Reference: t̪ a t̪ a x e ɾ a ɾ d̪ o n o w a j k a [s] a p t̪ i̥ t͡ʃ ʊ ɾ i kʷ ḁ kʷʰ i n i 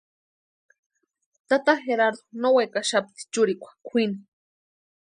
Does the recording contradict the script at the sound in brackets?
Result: yes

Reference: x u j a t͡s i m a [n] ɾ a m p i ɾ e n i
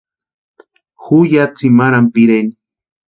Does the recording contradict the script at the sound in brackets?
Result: yes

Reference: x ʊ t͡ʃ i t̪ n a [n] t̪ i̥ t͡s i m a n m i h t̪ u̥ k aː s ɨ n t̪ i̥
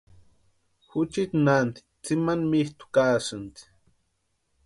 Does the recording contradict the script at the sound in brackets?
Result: no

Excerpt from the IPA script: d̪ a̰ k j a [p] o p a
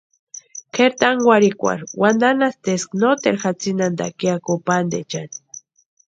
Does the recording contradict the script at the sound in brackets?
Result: yes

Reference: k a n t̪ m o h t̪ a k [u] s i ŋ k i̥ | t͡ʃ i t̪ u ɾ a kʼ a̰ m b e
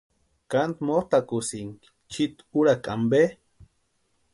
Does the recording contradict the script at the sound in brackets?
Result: no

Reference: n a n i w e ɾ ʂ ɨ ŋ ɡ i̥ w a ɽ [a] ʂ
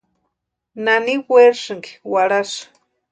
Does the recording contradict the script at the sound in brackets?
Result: no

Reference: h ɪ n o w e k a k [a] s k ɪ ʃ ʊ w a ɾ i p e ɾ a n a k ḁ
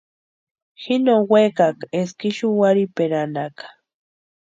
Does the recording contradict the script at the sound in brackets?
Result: yes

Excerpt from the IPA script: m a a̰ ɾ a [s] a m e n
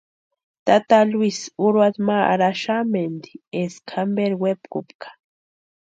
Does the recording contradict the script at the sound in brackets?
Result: yes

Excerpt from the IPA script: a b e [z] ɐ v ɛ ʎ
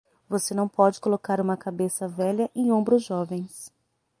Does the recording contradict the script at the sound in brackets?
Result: yes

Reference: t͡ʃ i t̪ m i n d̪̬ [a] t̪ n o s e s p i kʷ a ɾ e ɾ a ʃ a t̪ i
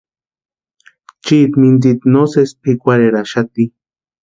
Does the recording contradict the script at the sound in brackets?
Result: yes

